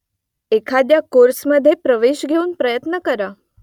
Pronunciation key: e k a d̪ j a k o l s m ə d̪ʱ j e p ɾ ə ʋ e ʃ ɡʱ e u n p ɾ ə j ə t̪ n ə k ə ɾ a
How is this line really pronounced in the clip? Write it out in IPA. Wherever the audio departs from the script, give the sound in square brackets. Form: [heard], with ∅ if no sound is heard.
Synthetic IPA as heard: e [kʰ] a d̪ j a k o [ɾ] s m ə d̪ʱ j e p ɾ ə ʋ e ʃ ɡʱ e u n p ɾ ə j ə t̪ n ə k ə ɾ a